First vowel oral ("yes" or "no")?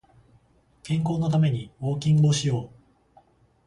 no